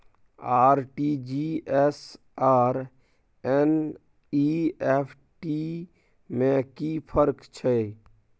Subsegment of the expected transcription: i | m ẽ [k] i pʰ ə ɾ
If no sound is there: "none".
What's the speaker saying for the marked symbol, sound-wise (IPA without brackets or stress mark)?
k